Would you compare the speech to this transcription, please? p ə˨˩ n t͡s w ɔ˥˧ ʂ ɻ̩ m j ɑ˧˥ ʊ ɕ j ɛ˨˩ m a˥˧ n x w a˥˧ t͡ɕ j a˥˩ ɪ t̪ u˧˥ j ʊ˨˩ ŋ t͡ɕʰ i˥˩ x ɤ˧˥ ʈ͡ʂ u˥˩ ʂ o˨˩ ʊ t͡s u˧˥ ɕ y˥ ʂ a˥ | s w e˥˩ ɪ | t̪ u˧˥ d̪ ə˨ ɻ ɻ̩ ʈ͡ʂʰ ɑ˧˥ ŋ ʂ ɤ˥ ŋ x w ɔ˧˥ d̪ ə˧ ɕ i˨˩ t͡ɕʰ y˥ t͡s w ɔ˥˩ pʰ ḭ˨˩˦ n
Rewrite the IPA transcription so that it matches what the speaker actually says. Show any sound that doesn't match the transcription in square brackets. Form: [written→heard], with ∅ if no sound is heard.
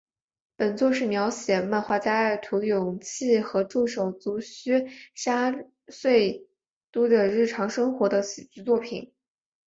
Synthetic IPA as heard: p ə˨˩ n t͡s w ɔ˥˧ ʂ ɻ̩ m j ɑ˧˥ ʊ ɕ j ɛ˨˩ m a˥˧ n x w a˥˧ t͡ɕ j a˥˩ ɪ [t̪→t̪ʰ] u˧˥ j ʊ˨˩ ŋ t͡ɕʰ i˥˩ x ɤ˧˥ ʈ͡ʂ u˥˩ ʂ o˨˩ ʊ t͡s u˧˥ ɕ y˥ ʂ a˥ | s w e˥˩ ɪ | t̪ [u˧˥→u˥] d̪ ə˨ ɻ ɻ̩ ʈ͡ʂʰ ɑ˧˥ ŋ ʂ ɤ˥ ŋ x w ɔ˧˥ d̪ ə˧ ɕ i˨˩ [t͡ɕʰ→t͡ɕ] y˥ t͡s w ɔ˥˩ pʰ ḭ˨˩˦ n